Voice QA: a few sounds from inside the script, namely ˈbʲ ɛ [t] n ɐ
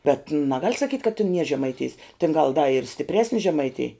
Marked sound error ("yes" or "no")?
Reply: no